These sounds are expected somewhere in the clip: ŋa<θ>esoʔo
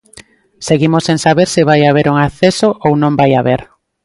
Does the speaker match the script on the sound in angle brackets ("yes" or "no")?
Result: yes